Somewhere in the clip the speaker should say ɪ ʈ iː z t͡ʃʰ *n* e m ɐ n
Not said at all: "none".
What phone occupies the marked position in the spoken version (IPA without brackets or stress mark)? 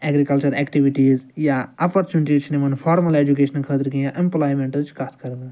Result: n